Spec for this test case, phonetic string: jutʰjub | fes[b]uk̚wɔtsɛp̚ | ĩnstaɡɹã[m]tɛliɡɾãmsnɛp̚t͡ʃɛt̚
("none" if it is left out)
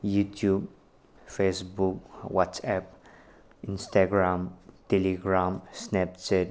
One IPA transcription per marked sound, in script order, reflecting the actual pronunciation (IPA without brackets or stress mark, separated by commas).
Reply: b, m